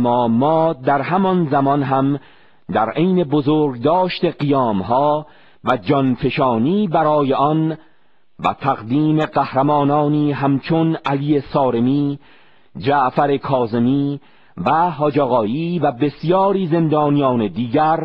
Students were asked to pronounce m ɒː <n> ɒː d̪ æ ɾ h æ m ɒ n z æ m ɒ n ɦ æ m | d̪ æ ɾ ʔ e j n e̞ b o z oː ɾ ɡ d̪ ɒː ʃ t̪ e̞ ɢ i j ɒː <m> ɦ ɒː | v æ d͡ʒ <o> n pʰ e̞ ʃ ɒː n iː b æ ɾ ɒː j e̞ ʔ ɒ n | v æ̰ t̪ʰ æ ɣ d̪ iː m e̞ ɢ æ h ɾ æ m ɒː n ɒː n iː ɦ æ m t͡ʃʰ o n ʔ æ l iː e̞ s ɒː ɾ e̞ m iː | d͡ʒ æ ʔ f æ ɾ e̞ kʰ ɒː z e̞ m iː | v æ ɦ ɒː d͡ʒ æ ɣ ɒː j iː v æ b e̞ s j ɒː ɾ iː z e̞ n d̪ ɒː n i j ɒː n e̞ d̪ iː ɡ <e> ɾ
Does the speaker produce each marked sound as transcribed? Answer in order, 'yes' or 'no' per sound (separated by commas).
no, yes, no, no